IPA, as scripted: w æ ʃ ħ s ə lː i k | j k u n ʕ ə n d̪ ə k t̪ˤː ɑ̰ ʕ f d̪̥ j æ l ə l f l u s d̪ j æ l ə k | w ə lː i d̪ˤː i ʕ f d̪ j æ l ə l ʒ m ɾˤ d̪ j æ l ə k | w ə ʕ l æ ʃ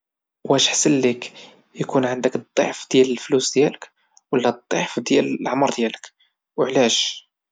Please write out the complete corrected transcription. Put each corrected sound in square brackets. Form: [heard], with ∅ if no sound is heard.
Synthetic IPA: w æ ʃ ħ s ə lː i k | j k u n ʕ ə n d̪ ə k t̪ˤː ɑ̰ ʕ f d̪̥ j æ l ə l f l u s d̪ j æ l ə k | w ə lː [æ] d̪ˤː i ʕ f d̪ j æ l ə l [ʕ] m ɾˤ d̪ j æ l ə k | w ə ʕ l æ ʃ

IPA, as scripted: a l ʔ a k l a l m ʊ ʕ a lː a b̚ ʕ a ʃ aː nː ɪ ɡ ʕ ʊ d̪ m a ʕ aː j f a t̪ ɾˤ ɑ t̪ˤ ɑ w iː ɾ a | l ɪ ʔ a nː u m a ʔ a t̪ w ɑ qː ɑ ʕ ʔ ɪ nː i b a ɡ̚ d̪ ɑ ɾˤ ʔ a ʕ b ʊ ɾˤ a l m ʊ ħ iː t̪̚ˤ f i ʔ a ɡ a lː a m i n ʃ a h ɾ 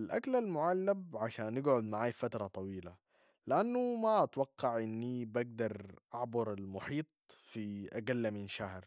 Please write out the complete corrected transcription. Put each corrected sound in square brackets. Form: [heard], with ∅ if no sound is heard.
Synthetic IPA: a l ʔ a k l a l m ʊ ʕ a lː a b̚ ʕ a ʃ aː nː ɪ ɡ ʕ ʊ d̪ m a ʕ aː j f a t̪ ɾˤ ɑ t̪ˤ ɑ w iː [l] a | l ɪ ʔ a nː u m a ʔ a t̪ w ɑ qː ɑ ʕ ʔ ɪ nː i b a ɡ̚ d̪ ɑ ɾˤ ʔ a ʕ b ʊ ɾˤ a l m ʊ ħ iː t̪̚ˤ f i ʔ a ɡ a lː a m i n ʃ a h ɾ

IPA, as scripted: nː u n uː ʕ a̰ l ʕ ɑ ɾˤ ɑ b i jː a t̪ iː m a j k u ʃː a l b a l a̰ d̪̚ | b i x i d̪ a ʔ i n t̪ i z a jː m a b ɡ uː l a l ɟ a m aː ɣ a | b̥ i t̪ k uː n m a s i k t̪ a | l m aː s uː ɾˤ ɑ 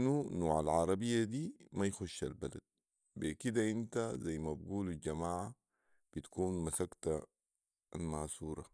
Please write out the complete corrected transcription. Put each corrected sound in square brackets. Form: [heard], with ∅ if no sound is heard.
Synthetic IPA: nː u n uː ʕ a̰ l ʕ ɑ ɾˤ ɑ b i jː a [d̪] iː m a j [x] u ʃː a l b a l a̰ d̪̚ | b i [k] i d̪ a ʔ i n t̪ [a] z a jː m a b ɡ uː l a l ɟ a m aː [ʕ] a | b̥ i t̪ k uː n m a s [a] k t̪ a | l m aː s uː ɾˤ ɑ

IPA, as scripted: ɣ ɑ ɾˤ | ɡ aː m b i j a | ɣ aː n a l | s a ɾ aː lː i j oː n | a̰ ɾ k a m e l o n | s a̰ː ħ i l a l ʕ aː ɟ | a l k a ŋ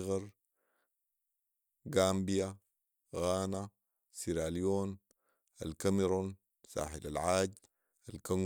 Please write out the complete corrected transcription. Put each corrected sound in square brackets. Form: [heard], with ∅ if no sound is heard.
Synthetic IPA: ɣ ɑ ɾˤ | ɡ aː m b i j a | ɣ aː n a [∅] | s [i] ɾ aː [l] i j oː n | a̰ [l] k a m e [ɾ] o n | s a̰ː ħ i l a l ʕ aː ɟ | a l k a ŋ

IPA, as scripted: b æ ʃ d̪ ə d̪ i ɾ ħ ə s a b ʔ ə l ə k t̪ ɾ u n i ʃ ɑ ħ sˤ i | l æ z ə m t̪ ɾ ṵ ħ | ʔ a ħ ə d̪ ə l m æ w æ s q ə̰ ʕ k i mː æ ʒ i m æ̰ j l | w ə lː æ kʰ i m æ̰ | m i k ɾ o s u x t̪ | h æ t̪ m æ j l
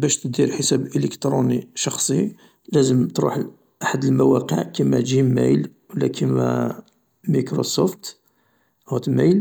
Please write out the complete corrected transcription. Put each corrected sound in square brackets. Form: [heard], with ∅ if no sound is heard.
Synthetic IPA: b æ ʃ [t̪] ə d̪ i ɾ ħ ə s [æ] b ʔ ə l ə k t̪ ɾ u n i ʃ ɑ [x] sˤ i | l æ z ə m t̪ ɾ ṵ ħ | ʔ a ħ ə d̪ ə l m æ w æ [∅] q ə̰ ʕ k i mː æ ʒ i m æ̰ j l | w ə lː æ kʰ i m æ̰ | m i k ɾ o s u [f] t̪ | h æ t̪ m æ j l

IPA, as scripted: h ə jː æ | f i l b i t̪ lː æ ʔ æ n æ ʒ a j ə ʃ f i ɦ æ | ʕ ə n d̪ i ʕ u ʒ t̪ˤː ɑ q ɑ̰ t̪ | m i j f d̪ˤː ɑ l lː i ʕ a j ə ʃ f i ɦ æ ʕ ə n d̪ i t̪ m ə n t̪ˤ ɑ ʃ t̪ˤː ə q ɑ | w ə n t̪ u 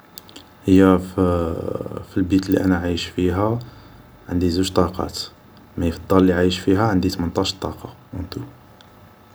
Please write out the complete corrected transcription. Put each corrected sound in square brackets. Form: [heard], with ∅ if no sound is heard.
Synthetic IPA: h ə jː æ | f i l b i t̪ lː [i] ʔ æ n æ [ʕ] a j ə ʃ f i ɦ æ | ʕ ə n d̪ i [z] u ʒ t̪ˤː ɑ q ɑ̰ t̪ | m [æ] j f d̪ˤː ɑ l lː i ʕ a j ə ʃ f i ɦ æ ʕ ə n d̪ i t̪ m ə n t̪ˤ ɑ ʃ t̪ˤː [ɑ] q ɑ | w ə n t̪ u

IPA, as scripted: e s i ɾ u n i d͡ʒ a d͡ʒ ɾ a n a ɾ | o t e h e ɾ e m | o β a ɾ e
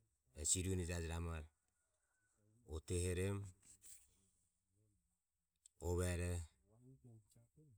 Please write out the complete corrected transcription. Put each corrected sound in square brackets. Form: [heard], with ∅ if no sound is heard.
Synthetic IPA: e s i ɾ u n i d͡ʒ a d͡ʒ ɾ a [m] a ɾ | o t e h e ɾ e m | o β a ɾ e

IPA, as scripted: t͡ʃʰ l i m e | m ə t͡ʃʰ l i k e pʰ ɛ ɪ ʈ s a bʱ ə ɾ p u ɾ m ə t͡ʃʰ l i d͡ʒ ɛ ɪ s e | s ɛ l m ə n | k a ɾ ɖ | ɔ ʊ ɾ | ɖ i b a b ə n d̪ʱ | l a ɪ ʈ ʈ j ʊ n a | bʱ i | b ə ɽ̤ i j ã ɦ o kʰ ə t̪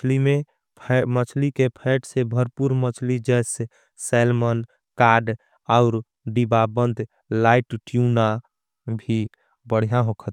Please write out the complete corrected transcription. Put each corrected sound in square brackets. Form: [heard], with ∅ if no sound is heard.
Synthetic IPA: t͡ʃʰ l i m e | m ə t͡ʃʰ l i k e pʰ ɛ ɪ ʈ s [e] bʱ ə ɾ p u ɾ m ə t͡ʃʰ l i d͡ʒ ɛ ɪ s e | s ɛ l m ə n | k a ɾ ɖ | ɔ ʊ ɾ | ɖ i b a b ə n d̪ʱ | l a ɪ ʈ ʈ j [u] n a | bʱ i | b ə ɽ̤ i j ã ɦ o kʰ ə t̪

